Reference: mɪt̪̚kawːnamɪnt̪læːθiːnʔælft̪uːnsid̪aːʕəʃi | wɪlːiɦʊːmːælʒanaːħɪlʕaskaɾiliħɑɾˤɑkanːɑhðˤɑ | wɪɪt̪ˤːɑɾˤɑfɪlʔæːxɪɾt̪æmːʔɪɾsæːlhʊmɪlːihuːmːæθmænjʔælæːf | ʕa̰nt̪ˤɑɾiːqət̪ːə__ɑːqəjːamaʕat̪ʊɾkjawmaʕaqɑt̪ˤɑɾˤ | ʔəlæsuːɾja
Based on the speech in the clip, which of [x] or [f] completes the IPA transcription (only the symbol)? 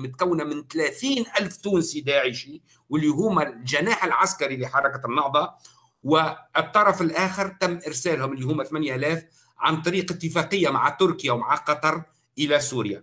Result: f